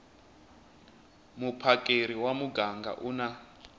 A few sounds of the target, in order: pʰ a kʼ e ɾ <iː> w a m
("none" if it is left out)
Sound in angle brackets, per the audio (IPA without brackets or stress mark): i